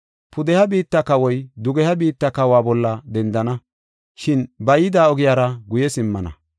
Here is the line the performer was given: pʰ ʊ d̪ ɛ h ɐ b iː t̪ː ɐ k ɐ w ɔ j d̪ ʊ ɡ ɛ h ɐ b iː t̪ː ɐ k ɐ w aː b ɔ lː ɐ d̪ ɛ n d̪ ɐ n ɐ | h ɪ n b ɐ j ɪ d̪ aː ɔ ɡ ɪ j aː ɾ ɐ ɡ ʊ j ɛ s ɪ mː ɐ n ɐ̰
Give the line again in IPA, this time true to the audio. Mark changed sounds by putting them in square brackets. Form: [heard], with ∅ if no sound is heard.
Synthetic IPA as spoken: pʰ ʊ d̪ ɛ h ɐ b iː t̪ː ɐ k ɐ w ɔ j d̪ ʊ ɡ ɛ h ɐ b iː t̪ː ɐ k ɐ w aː b ɔ lː ɐ d̪ ɛ n d̪ ɐ n ɐ | [ʃ] ɪ n b ɐ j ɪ d̪ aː ɔ ɡ ɪ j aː ɾ ɐ ɡ ʊ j ɛ s ɪ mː ɐ n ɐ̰